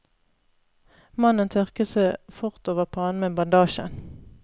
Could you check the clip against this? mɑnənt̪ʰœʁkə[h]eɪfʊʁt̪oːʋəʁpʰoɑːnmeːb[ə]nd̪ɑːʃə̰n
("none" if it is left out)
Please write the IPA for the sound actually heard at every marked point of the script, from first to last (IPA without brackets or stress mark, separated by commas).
s, ɑ